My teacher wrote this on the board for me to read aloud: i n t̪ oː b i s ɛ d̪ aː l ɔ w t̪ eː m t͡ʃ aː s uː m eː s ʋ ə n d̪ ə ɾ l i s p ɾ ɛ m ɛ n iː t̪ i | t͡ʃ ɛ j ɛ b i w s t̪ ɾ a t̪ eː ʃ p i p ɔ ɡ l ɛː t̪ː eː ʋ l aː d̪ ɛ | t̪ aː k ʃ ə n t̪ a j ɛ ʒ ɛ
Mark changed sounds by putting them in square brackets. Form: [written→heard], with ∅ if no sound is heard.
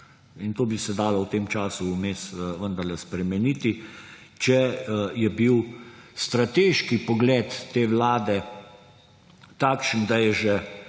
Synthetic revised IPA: i n t̪ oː b i s ɛ d̪ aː l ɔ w t̪ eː m t͡ʃ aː s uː m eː s ʋ ə n d̪ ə ɾ l [i→ɛ] s p ɾ ɛ m ɛ n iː t̪ i | t͡ʃ ɛ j ɛ b i w s t̪ ɾ a t̪ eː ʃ [p→k] i p ɔ ɡ l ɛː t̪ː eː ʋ l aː d̪ ɛ | t̪ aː k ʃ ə n [t̪→d̪] a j ɛ ʒ ɛ